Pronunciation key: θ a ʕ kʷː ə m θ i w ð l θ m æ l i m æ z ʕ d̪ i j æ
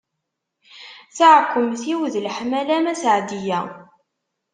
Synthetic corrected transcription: θ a ʕ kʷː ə m θ i w ð l ħ m æ l æ m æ s ʕ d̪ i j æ